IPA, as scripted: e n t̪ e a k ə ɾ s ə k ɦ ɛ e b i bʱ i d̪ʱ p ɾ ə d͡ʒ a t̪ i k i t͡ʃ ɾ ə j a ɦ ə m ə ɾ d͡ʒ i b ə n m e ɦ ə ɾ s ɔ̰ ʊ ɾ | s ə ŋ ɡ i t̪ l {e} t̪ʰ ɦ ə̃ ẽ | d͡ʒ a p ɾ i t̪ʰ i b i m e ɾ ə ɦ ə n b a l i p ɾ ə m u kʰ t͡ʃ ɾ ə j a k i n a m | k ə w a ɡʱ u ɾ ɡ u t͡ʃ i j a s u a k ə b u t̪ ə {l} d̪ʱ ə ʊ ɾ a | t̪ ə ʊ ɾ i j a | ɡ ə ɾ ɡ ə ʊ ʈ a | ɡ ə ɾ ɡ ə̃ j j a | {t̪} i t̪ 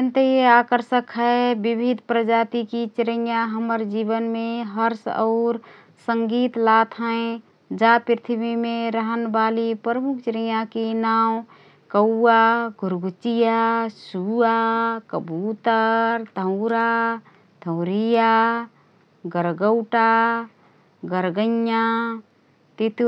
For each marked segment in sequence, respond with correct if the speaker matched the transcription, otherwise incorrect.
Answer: incorrect: a, incorrect: ɾ, correct

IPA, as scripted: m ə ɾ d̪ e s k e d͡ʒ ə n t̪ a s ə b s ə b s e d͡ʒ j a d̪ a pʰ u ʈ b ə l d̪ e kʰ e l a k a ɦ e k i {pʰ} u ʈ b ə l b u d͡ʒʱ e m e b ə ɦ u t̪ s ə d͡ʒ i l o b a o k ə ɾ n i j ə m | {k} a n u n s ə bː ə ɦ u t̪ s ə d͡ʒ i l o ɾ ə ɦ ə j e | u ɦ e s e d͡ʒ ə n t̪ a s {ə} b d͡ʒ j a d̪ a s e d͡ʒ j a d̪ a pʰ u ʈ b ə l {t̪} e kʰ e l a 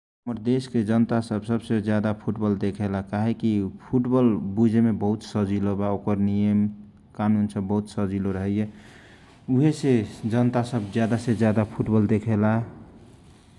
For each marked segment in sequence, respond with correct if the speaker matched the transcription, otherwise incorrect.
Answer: correct, correct, correct, incorrect: d̪

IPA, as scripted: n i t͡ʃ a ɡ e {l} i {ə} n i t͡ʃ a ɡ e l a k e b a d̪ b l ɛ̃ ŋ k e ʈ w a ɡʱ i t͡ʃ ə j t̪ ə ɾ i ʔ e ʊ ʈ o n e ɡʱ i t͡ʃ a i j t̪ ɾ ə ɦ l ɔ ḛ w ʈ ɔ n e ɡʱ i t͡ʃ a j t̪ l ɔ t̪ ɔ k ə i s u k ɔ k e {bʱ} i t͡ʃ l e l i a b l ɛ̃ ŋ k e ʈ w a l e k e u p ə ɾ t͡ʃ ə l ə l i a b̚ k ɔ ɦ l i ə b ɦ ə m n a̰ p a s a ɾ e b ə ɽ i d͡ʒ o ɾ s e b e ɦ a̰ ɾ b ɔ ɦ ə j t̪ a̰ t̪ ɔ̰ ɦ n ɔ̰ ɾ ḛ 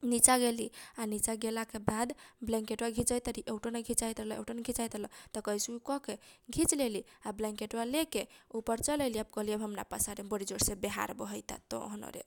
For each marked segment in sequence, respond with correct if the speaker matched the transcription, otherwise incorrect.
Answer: correct, incorrect: a, incorrect: ɡʱ

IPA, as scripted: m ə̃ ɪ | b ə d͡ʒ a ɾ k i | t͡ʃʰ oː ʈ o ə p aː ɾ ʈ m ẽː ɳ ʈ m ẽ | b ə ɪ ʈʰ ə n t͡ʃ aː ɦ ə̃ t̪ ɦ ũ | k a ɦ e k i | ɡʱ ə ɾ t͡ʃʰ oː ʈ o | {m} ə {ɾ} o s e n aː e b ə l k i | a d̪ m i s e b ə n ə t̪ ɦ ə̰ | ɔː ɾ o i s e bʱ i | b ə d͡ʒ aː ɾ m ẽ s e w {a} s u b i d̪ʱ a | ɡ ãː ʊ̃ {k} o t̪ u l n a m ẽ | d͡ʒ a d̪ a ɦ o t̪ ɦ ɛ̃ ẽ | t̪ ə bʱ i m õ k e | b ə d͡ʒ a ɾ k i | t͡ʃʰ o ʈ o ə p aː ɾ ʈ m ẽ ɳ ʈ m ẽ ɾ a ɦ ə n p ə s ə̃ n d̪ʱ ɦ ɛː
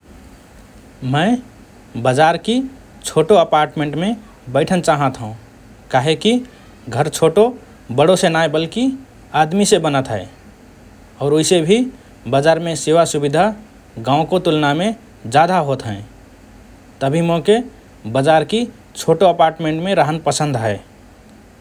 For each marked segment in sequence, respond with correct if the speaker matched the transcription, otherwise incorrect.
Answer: incorrect: b, incorrect: ɽ, correct, correct

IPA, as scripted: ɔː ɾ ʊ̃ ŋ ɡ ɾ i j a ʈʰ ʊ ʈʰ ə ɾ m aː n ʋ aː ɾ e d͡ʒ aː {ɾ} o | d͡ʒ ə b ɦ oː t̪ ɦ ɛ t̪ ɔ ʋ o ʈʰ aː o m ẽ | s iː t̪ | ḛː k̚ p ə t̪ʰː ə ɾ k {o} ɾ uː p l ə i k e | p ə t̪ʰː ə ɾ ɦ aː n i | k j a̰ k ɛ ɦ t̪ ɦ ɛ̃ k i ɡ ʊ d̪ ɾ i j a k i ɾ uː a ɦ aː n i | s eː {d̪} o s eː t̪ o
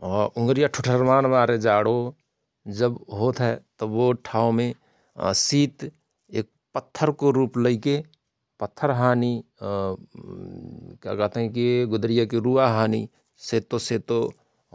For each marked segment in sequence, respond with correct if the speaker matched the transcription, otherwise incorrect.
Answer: incorrect: ɽ, correct, incorrect: t̪

